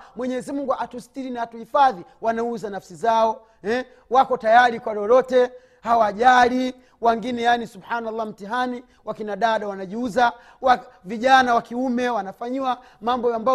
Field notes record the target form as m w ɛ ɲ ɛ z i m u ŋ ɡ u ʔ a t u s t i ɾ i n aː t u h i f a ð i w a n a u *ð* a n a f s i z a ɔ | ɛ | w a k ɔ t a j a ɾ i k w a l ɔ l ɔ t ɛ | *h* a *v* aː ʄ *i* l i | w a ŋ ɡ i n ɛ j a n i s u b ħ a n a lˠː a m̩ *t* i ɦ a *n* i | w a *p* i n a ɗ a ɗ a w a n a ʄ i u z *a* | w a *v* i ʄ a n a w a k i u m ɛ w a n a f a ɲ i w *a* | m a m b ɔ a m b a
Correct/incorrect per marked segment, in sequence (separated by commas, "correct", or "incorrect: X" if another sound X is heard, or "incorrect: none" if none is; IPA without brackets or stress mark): incorrect: z, correct, incorrect: w, incorrect: a, correct, correct, incorrect: k, correct, correct, correct